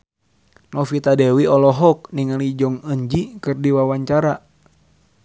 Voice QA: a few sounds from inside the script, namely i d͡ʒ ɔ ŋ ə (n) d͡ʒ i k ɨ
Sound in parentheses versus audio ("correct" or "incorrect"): incorrect